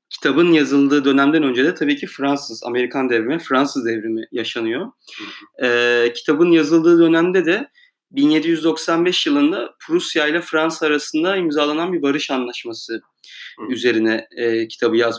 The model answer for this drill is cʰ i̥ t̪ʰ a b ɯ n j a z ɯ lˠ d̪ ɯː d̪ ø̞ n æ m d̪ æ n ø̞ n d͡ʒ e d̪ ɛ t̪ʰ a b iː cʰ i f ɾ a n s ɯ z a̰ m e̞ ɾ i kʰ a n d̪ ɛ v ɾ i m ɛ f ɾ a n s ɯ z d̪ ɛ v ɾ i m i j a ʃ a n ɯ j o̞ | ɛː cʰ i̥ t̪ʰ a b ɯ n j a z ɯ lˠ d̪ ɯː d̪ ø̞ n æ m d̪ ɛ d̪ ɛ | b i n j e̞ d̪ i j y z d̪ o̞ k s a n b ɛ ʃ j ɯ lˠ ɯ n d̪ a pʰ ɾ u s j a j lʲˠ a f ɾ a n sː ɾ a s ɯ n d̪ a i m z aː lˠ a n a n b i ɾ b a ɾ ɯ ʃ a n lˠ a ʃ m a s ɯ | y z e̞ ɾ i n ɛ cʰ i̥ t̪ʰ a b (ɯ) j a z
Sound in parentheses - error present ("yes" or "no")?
no